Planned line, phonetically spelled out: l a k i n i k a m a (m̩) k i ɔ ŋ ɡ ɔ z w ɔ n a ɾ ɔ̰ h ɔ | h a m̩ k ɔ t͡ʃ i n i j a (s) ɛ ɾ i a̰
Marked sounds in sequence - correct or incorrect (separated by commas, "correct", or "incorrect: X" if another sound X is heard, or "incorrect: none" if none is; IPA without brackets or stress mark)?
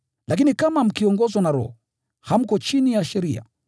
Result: correct, incorrect: ʃ